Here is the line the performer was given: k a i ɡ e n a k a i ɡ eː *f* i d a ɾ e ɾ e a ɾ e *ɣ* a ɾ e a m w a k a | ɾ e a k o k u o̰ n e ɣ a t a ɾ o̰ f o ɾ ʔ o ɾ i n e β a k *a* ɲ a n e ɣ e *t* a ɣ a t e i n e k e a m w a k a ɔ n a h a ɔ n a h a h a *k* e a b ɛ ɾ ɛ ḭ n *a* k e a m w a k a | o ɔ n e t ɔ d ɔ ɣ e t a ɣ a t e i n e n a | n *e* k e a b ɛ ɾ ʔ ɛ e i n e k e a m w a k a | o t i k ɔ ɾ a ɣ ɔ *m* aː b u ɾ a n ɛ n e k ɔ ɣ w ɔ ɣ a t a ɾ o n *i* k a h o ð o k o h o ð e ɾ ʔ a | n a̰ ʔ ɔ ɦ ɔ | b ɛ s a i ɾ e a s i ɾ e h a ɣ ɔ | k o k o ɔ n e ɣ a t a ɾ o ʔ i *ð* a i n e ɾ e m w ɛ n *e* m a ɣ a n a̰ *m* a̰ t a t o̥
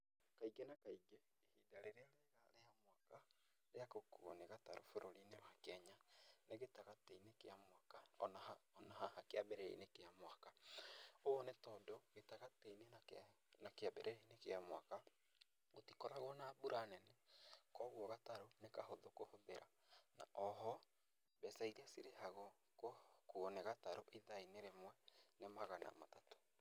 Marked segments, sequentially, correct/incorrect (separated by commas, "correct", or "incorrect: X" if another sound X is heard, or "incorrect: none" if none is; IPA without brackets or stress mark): incorrect: h, correct, incorrect: ɛ, correct, correct, incorrect: e, incorrect: a, incorrect: n, incorrect: e, correct, correct, correct